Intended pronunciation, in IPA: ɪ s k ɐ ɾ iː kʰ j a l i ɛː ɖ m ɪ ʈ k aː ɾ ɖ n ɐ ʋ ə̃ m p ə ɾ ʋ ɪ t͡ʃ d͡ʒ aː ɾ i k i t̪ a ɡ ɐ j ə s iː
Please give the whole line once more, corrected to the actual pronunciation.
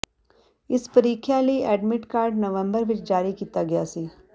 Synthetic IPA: ɪ s p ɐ ɾ iː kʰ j a l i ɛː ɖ m ɪ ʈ k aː ɾ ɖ n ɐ ʋ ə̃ m b ə ɾ ʋ ɪ t͡ʃ d͡ʒ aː ɾ i k iː t̪ a ɡ ɐ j a s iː